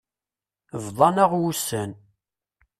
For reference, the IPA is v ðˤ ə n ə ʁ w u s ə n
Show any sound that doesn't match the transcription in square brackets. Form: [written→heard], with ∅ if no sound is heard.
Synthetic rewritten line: v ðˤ [ə→ɑ] n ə ʁ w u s ə n